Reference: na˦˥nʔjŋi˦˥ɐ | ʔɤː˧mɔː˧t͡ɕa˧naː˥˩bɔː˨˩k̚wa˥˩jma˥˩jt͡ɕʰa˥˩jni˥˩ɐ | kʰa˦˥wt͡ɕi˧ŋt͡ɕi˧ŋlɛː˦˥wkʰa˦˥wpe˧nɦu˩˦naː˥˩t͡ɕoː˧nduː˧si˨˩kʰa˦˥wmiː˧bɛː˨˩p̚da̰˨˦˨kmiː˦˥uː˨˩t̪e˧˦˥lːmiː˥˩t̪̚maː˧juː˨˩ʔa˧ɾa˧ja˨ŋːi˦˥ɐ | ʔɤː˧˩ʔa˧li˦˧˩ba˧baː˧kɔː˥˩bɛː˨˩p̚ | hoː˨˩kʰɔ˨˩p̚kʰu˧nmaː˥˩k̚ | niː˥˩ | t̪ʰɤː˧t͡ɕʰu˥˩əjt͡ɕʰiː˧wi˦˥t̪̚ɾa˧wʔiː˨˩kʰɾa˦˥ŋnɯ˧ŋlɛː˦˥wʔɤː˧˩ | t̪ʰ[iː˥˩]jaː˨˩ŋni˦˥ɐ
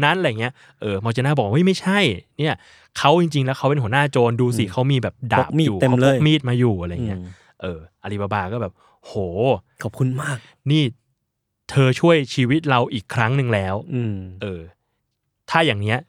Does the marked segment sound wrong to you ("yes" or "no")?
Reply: yes